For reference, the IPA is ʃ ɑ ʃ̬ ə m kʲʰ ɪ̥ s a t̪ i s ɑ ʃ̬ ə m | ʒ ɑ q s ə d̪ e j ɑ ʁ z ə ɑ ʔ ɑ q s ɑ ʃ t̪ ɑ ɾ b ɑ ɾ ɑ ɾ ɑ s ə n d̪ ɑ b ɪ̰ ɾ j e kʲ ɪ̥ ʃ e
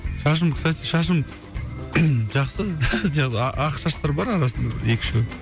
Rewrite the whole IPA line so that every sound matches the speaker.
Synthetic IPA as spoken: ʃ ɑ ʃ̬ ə m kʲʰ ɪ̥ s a t̪ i ʃ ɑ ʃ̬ ə m | ʒ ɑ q s ə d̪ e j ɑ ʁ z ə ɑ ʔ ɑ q ʃ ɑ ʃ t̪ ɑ ɾ b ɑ ɾ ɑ ɾ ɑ s ə n d̪ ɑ b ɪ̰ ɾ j e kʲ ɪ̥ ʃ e